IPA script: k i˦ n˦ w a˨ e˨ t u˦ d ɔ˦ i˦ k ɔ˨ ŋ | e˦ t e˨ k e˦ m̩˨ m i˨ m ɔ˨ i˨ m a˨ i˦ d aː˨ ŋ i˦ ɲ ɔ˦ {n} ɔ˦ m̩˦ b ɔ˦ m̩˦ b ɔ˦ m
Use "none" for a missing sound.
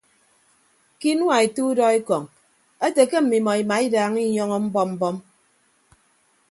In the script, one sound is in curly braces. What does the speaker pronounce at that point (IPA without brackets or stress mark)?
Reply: ŋ